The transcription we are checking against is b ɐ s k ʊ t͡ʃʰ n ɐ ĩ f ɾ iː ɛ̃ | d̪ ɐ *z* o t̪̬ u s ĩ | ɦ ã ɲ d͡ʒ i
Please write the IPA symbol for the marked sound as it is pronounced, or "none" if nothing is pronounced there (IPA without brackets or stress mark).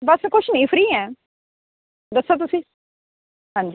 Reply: s